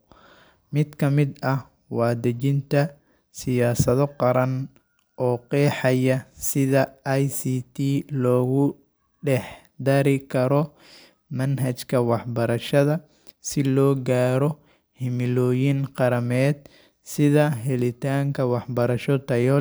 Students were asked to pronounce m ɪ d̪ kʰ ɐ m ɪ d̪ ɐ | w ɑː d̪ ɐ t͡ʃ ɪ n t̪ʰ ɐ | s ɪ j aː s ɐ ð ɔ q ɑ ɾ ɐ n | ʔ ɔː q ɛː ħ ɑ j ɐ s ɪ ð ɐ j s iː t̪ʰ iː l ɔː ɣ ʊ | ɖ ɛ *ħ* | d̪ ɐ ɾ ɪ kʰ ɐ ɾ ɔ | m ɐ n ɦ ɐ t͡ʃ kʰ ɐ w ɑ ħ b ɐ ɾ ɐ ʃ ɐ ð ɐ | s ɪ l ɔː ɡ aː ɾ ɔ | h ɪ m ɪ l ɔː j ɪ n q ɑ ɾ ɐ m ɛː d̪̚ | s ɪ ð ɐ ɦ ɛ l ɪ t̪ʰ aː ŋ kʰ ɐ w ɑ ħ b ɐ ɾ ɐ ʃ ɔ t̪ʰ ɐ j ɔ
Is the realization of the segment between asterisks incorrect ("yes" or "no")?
no